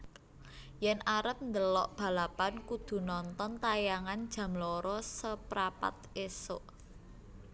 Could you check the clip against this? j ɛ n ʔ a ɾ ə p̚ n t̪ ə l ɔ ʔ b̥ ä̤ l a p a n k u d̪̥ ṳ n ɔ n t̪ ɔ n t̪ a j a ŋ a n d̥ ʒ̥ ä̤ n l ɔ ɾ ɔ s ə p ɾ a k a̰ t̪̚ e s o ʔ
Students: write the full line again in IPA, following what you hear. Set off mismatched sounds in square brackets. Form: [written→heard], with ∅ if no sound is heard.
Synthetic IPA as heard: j ɛ n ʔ a ɾ ə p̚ n [t̪→d̪] ə l ɔ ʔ b̥ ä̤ l a p a n k u d̪̥ ṳ n ɔ n t̪ ɔ n t̪ a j a ŋ a n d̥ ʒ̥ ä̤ [n→m] l ɔ ɾ ɔ s ə p ɾ a [k→p] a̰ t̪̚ e s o ʔ